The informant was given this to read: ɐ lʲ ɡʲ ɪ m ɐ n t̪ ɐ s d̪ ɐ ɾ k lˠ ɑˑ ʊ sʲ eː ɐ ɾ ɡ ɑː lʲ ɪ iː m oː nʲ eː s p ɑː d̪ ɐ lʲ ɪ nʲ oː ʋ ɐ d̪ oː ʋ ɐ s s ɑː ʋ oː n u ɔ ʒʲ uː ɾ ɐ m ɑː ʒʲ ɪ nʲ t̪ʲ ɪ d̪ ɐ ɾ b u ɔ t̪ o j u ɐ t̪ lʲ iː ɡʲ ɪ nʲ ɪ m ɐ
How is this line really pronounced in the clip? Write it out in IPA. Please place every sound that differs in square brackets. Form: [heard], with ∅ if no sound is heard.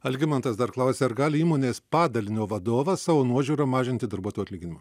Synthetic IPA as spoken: ɐ lʲ ɡʲ ɪ m ɐ n t̪ ɐ s d̪ ɐ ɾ k lˠ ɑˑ ʊ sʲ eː ɐ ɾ ɡ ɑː lʲ ɪ iː m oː nʲ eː s p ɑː d̪ ɐ lʲ ɪ nʲ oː ʋ ɐ d̪ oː ʋ ɐ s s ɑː ʋ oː n u ɔ ʒʲ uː ɾ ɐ m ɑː ʒʲ ɪ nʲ t̪ʲ ɪ d̪ ɐ ɾ b u ɔ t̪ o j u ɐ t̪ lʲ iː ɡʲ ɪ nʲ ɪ m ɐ

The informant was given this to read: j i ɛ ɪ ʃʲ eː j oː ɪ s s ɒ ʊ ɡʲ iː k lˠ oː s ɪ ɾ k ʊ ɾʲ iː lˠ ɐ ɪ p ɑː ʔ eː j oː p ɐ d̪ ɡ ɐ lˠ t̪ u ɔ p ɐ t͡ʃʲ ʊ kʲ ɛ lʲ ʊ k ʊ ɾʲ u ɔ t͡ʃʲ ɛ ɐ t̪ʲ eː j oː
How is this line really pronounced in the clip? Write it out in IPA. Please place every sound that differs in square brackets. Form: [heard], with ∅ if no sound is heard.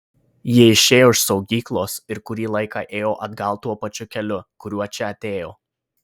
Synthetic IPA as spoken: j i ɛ ɪ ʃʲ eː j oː ɪ [ʃ] s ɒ ʊ ɡʲ iː k lˠ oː s ɪ ɾ k ʊ ɾʲ iː lˠ ɐ ɪ [k] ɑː ʔ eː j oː [ʔ] ɐ d̪ ɡ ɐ lˠ t̪ u ɔ p ɐ t͡ʃʲ ʊ kʲ ɛ lʲ ʊ k ʊ ɾʲ u ɔ t͡ʃʲ ɛ ɐ t̪ʲ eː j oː

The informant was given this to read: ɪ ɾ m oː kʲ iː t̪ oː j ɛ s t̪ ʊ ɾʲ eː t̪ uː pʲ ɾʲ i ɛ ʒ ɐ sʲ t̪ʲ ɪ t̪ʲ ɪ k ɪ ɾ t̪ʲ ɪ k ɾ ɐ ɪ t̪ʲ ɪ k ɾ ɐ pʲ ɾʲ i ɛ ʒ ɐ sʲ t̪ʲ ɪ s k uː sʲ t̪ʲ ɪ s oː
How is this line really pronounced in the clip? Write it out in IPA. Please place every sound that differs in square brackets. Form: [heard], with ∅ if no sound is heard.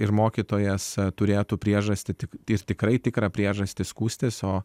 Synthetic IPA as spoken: ɪ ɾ m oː kʲ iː t̪ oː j ɛ s t̪ ʊ ɾʲ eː t̪ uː pʲ ɾʲ i ɛ ʒ ɐ sʲ t̪ʲ ɪ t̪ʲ ɪ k ɪ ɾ t̪ʲ ɪ k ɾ ɐ ɪ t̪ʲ ɪ k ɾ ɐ pʲ ɾʲ i ɛ ʒ ɐ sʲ t̪ʲ ɪ s k uː sʲ t̪ʲ ɪ s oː

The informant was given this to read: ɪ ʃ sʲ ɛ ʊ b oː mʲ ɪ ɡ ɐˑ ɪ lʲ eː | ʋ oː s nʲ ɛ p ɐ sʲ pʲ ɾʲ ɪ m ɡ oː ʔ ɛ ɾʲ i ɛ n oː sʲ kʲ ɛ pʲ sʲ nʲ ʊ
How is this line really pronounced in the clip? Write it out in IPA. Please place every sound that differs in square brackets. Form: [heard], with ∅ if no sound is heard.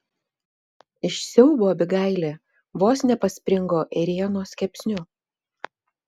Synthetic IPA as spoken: ɪ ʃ sʲ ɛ ʊ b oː [bʲ] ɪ ɡ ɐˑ ɪ lʲ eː | ʋ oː s nʲ ɛ p ɐ sʲ pʲ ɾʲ ɪ [ŋ] ɡ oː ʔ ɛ ɾʲ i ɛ n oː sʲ kʲ ɛ pʲ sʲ nʲ ʊ

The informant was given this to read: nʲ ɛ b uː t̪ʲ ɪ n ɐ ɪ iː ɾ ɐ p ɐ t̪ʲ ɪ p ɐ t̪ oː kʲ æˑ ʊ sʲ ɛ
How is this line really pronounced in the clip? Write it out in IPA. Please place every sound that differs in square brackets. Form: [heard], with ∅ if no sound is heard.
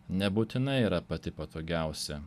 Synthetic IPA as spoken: nʲ ɛ b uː t̪ʲ ɪ n ɐ ɪ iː ɾ ɐ p ɐ t̪ʲ ɪ p ɐ t̪ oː [ɡʲ] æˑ ʊ sʲ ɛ

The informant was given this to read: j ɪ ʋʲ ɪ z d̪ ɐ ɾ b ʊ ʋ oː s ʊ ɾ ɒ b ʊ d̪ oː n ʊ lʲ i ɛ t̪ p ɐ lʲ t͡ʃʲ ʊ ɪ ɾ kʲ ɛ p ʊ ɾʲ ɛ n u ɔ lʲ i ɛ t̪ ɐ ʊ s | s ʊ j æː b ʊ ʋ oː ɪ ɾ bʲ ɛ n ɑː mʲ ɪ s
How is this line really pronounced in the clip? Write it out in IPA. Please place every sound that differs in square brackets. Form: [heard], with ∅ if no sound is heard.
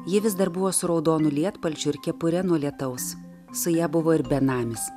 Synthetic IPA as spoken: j ɪ ʋʲ ɪ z d̪ ɐ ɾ b ʊ ʋ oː s ʊ ɾ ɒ [∅] ʊ d̪ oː n ʊ lʲ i ɛ t̪ p ɐ lʲ t͡ʃʲ ʊ ɪ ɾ kʲ ɛ p ʊ ɾʲ ɛ n u ɔ lʲ i ɛ t̪ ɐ ʊ s | s ʊ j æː b ʊ ʋ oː ɪ ɾ bʲ ɛ n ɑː mʲ ɪ s

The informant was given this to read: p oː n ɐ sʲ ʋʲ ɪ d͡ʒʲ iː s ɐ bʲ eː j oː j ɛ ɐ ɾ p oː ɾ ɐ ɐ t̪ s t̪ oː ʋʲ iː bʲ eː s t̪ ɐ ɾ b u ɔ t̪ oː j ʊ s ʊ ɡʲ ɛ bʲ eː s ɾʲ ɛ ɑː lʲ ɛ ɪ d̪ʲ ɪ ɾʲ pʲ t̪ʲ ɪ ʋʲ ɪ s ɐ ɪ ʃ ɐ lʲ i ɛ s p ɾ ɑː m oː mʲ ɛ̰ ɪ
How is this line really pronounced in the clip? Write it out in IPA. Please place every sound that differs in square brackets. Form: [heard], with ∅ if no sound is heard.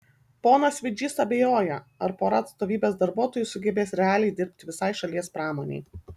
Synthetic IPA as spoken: p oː n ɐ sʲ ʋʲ ɪ d͡ʒʲ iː s ɐ bʲ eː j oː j ɛ ɐ ɾ p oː ɾ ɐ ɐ t̪ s t̪ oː ʋʲ iː bʲ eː s [d̪] ɐ ɾ b u ɔ t̪ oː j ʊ s ʊ ɡʲ ɛ bʲ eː s ɾʲ ɛ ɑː lʲ ɛ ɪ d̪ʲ ɪ ɾʲ pʲ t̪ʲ ɪ ʋʲ ɪ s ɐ ɪ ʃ ɐ lʲ i ɛ s p ɾ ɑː m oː [nʲ] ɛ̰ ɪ

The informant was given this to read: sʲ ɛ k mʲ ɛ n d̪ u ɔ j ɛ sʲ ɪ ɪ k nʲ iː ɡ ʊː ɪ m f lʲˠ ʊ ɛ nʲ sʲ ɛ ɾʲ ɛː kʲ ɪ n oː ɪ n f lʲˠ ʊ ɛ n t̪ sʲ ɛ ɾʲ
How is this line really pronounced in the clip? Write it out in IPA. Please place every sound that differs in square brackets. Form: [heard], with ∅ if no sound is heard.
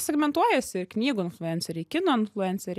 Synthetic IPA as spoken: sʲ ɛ [ɡ] mʲ ɛ n [t̪] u ɔ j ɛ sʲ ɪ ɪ k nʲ iː ɡ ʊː ɪ [n] f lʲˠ ʊ ɛ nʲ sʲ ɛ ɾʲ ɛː kʲ ɪ n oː ɪ n f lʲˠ ʊ ɛ n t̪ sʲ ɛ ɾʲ

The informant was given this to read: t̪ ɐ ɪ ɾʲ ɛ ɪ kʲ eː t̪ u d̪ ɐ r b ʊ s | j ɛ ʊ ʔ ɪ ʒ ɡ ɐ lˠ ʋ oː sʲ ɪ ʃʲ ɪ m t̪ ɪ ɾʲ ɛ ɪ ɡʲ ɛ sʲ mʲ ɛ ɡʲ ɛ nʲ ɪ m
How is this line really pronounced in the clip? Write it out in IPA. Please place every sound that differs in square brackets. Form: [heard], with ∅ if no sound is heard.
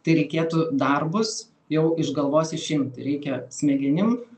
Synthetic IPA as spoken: t̪ ɐ ɪ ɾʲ ɛ ɪ kʲ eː t̪ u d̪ ɐ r b ʊ s | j ɛ ʊ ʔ ɪ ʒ ɡ ɐ lˠ ʋ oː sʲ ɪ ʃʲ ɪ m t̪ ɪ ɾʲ ɛ ɪ [kʲ] ɛ sʲ mʲ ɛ ɡʲ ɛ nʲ ɪ m

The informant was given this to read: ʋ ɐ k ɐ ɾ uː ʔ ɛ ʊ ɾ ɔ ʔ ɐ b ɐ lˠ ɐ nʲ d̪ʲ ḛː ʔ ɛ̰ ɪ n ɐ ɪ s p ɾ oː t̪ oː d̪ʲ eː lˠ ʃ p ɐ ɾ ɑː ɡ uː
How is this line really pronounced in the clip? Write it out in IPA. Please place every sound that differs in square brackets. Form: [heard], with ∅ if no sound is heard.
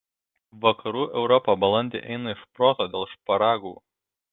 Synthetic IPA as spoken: ʋ ɐ k ɐ ɾ uː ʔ ɛ ʊ ɾ ɔ [p] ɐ b ɐ lˠ ɐ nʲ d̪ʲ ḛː ʔ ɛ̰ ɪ n ɐ ɪ [ʃ] p ɾ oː t̪ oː d̪ʲ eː lˠ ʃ p ɐ ɾ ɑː ɡ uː

